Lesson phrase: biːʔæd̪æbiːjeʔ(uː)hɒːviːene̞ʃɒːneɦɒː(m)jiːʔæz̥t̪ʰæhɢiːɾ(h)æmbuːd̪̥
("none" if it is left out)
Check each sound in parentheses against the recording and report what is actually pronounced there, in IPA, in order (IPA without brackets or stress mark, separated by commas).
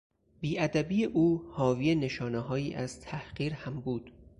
uː, none, h